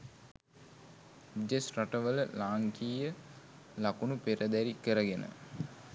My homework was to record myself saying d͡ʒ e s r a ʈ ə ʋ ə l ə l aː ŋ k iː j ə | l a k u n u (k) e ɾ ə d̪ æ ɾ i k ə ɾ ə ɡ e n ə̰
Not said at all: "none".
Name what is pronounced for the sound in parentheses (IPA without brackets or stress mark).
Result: p